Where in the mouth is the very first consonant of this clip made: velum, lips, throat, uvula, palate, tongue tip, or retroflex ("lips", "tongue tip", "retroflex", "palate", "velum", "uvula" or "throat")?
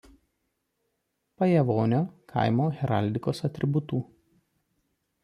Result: lips